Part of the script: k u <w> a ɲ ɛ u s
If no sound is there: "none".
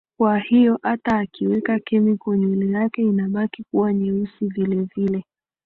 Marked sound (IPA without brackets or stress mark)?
w